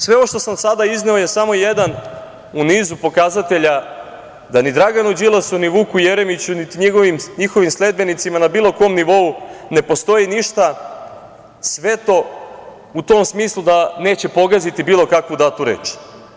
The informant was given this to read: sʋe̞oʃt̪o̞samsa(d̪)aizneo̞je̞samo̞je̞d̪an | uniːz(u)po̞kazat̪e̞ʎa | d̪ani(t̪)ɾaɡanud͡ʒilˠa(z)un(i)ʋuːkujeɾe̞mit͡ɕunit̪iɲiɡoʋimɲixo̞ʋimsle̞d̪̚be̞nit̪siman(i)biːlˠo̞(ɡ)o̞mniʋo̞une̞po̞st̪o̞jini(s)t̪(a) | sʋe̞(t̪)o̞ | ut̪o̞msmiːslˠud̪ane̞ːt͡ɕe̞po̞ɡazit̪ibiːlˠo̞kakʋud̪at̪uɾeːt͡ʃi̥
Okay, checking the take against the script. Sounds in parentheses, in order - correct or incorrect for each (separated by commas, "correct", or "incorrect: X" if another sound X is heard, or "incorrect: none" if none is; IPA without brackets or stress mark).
correct, correct, incorrect: d̪, incorrect: s, correct, incorrect: a, incorrect: k, incorrect: ʃ, correct, correct